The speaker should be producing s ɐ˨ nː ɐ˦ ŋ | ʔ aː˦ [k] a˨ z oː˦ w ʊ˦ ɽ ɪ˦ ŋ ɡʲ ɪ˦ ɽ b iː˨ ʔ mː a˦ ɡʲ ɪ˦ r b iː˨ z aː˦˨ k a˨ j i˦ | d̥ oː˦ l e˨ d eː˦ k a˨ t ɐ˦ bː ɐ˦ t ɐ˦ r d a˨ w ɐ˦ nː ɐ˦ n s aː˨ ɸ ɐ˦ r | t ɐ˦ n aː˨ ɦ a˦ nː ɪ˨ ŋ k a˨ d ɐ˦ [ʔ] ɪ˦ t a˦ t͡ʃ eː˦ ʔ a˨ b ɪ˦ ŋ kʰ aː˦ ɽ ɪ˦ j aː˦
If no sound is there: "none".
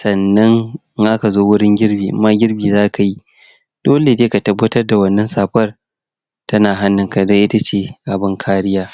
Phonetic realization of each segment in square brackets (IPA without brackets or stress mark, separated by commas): k, ʔ